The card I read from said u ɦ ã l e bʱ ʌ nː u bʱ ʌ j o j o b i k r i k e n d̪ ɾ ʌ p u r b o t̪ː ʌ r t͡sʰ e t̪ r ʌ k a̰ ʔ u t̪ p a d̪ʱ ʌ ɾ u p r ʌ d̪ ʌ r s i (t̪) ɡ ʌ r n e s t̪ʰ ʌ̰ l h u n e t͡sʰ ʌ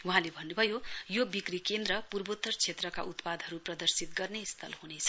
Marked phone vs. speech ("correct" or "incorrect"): correct